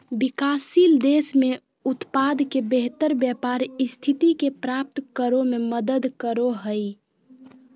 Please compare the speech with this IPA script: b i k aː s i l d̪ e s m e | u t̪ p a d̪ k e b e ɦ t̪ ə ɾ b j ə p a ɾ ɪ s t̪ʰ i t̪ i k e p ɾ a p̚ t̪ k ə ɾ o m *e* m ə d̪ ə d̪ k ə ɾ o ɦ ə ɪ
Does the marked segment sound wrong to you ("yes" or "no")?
no